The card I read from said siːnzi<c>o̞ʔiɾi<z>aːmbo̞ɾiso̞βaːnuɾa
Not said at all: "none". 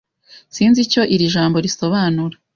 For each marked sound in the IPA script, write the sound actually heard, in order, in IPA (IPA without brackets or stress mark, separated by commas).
c, ʒ